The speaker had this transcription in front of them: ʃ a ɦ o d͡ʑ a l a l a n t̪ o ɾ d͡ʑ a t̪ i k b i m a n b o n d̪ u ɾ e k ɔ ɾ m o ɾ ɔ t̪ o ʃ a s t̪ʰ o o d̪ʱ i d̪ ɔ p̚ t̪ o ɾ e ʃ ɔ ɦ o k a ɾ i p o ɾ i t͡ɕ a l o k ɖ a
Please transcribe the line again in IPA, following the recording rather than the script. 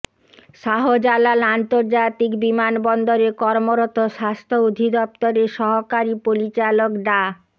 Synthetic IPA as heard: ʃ a ɦ o d͡ʑ a l a l a n t̪ o ɾ d͡ʑ a t̪ i k b i m a n b ɔ n d̪ o ɾ e k ɔ ɾ m o ɾ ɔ t̪ o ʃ a s t̪ʰ o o d̪ʱ i d̪ ɔ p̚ t̪ o ɾ e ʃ ɔ ɦ o k a ɾ i p o ɾ i t͡ɕ a l o k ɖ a